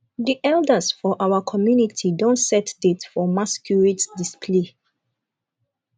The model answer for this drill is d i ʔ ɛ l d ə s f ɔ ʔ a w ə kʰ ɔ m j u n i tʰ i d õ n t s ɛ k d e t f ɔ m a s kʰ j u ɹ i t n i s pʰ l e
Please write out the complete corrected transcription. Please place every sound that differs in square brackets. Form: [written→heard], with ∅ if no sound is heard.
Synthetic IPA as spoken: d i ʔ ɛ l d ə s f ɔ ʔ a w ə kʰ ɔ m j u n i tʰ i d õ n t s ɛ [k→t] d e t f ɔ m a s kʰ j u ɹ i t [n→d] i s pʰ l e